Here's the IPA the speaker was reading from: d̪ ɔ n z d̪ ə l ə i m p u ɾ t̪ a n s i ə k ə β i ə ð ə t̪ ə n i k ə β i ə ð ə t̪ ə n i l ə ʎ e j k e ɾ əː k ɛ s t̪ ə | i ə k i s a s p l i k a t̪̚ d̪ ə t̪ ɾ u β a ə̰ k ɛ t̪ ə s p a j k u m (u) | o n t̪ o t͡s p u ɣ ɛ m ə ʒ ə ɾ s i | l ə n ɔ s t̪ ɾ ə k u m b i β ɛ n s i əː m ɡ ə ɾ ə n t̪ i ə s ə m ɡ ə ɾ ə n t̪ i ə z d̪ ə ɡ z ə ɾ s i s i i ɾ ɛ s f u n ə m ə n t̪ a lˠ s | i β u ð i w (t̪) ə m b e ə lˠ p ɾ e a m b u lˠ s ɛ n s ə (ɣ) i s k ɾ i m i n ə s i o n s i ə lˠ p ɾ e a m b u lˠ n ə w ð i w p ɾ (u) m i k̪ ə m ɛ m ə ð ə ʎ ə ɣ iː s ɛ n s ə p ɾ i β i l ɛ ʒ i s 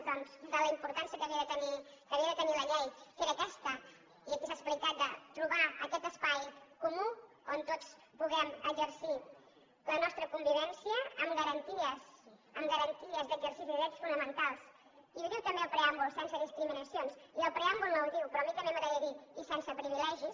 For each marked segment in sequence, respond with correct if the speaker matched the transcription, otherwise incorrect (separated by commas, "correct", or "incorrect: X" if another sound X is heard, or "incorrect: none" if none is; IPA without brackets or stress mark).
correct, correct, incorrect: ð, incorrect: ɔ